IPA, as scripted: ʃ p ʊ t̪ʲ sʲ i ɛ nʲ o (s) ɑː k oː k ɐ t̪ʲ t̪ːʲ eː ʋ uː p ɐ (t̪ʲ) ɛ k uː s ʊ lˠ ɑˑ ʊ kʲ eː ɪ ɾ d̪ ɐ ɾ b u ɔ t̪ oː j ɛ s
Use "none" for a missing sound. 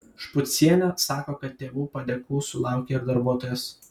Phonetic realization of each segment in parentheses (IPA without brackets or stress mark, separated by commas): s, d̪ʲ